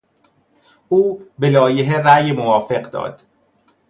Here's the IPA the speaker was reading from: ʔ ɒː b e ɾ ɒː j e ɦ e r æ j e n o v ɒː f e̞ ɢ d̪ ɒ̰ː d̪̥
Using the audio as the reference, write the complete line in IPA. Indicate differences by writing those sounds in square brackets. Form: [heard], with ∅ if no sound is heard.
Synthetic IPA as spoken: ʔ [uː] b e [l] ɒː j e ɦ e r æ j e [m] o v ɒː f e̞ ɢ d̪ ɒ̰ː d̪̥